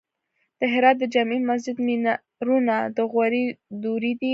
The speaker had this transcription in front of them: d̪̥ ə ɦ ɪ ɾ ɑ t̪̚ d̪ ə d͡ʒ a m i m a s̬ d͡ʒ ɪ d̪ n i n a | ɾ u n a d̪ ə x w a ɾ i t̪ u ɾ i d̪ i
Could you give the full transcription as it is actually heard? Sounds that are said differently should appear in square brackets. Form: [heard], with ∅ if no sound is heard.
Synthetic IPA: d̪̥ ə ɦ ɪ ɾ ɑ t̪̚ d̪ ə d͡ʒ a m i m a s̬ d͡ʒ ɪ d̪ [m] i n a | ɾ u n a d̪ ə [ɣ] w a ɾ i [d̪] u ɾ i d̪ i